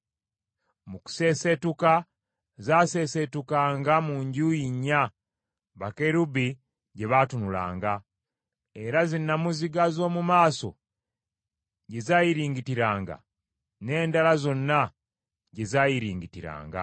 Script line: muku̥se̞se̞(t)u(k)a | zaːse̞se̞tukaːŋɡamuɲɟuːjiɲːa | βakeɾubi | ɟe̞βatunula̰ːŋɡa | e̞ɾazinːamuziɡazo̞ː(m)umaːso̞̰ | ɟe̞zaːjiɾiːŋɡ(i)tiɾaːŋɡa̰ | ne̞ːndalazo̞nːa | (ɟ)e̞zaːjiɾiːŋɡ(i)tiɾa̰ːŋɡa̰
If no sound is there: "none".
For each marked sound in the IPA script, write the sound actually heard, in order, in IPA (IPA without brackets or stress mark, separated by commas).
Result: t, k, m, i, ɟ, i